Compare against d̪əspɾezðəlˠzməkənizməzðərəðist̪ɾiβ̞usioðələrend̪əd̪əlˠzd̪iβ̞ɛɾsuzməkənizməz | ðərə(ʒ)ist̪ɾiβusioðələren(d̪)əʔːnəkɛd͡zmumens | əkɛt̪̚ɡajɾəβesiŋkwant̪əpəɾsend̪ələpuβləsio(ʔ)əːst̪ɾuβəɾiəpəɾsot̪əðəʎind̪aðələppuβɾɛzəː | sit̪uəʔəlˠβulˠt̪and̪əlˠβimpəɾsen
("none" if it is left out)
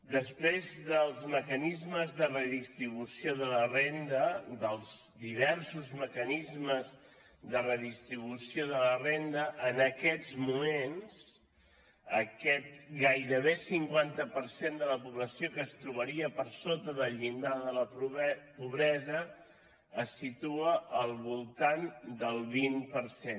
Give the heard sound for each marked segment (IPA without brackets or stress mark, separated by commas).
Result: ð, d̪, k